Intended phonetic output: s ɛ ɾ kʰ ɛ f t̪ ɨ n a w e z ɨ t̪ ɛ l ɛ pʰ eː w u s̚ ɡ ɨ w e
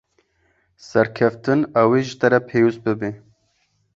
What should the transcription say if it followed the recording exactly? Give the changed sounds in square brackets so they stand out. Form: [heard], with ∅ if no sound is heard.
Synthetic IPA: s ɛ ɾ kʰ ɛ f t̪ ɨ n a w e [ʒ] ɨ t̪ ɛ [ɾ] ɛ pʰ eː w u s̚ [b] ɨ [b] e